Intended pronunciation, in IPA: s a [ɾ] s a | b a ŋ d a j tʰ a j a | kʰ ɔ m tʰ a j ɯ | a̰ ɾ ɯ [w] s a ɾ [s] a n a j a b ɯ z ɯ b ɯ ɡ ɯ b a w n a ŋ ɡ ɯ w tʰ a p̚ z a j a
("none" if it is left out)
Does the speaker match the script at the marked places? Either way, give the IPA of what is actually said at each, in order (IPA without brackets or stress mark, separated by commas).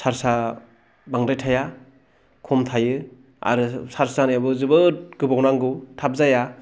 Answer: ɾ, none, s